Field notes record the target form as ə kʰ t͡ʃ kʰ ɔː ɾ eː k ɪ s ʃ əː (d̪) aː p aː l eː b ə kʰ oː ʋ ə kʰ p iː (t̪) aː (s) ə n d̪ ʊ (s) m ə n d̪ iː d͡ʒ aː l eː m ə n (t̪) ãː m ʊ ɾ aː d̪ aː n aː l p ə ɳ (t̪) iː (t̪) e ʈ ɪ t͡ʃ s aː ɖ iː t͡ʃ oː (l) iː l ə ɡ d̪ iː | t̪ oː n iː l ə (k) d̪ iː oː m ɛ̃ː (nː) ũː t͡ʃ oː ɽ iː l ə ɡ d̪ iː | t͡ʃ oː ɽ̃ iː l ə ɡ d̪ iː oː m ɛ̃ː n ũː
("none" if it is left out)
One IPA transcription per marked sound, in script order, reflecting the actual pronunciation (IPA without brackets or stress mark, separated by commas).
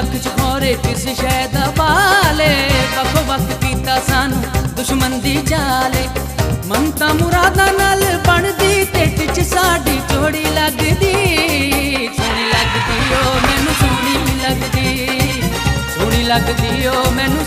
d̪, t̪, s, ʃ, t̪, d̪, t̪, ɽ, ɡ, n